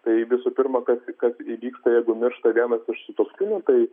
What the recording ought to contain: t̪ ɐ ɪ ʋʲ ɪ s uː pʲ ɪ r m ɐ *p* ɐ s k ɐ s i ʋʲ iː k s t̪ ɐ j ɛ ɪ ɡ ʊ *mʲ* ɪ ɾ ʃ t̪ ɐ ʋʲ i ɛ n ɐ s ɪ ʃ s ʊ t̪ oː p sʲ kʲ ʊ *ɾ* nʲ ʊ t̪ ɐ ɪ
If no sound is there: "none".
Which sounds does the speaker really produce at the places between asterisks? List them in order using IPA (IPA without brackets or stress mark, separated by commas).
k, mʲ, none